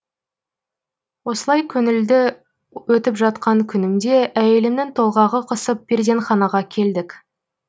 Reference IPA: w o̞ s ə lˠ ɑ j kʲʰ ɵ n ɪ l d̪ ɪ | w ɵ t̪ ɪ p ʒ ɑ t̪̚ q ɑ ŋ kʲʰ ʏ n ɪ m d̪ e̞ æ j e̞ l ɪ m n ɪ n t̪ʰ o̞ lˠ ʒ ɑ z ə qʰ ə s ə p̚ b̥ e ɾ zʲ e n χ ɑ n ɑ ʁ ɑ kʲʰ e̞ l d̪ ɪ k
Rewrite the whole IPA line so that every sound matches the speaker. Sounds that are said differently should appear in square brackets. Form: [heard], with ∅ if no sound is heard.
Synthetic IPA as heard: w o̞ s ə lˠ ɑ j kʲʰ ɵ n ɪ l d̪ ɪ | w ɵ t̪ ɪ p ʒ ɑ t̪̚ q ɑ ŋ kʲʰ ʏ n ɪ m d̪ e̞ æ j e̞ l ɪ m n ɪ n t̪ʰ o̞ lˠ [ʁ] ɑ [ʁ] ə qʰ ə s ə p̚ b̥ e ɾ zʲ e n χ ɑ n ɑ ʁ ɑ kʲʰ e̞ l d̪ ɪ k

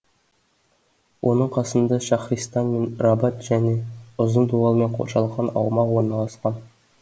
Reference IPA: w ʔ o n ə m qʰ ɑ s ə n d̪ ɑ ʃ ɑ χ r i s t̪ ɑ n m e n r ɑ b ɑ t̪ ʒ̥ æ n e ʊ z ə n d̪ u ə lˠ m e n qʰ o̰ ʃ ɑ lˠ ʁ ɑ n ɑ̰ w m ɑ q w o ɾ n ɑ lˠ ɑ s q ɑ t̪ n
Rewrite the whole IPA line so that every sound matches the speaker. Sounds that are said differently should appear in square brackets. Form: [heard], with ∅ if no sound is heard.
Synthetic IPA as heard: w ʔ o n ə [ɴ] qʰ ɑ s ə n d̪ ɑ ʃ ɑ χ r i s t̪ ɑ n m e n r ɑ b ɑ t̪ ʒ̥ æ n e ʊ z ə n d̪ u [ɑ] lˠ m e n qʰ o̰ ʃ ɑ lˠ ʁ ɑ n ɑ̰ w m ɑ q w o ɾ n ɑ lˠ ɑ s q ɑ [∅] n

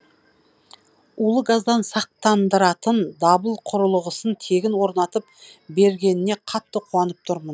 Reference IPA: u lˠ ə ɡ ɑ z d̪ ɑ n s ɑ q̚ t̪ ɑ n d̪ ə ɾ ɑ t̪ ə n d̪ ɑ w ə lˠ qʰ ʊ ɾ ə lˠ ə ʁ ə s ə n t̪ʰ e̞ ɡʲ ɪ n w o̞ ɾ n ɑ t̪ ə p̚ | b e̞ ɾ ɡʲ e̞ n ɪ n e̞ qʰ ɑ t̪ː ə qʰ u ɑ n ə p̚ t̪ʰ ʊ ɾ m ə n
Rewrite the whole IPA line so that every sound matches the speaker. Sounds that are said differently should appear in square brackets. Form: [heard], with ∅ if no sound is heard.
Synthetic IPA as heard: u lˠ ə ɡ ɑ z d̪ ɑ n s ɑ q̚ t̪ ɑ n d̪ ə ɾ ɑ t̪ ə n d̪ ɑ [b] ə lˠ qʰ ʊ ɾ ə lˠ ə ʁ ə s ə n t̪ʰ e̞ ɡʲ ɪ n w o̞ ɾ n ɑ t̪ ə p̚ | b e̞ ɾ ɡʲ e̞ n ɪ n e̞ qʰ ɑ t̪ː ə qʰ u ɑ n ə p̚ t̪ʰ ʊ ɾ m ə n

